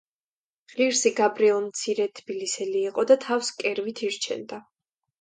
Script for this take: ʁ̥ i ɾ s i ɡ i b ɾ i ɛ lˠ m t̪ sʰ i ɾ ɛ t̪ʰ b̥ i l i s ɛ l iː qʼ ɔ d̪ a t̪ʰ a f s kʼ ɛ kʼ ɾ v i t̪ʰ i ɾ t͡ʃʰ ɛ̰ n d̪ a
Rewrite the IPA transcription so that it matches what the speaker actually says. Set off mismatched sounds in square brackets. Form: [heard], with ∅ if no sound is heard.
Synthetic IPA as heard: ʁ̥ i ɾ s i ɡ [a] b ɾ i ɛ lˠ m t̪ sʰ i ɾ ɛ t̪ʰ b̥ i l i s ɛ l iː qʼ ɔ d̪ a t̪ʰ a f s kʼ ɛ [∅] ɾ v i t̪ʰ i ɾ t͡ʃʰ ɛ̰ n d̪ a